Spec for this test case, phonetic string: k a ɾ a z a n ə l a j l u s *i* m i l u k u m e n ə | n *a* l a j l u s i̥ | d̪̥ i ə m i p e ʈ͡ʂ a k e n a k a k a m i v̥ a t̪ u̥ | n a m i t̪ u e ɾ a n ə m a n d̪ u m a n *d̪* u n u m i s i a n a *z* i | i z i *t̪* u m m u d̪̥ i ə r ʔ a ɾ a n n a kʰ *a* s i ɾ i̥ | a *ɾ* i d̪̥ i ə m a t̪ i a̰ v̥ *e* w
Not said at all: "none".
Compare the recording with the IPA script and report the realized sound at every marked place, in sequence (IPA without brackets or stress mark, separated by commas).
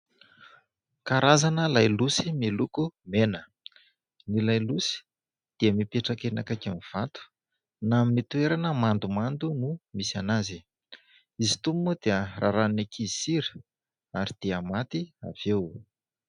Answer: i, i, d̪, z, t̪, i, ɾ, e